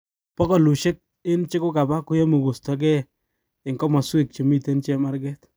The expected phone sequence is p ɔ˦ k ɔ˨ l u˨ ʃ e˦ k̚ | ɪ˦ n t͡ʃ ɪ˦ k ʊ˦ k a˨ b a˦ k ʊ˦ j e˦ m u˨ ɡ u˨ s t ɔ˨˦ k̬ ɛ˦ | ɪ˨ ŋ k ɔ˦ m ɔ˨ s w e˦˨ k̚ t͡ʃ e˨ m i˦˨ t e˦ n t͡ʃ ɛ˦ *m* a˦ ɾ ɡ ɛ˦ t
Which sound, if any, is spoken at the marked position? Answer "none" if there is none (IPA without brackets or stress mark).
m